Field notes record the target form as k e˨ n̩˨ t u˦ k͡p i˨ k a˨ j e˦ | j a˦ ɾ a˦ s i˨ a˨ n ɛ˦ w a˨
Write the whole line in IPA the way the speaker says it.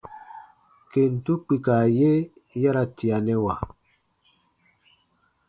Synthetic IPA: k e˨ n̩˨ t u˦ k͡p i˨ k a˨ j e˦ | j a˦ ɾ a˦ t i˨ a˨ n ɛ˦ w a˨